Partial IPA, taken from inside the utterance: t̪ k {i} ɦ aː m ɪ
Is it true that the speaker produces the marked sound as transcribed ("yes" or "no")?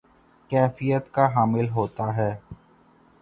no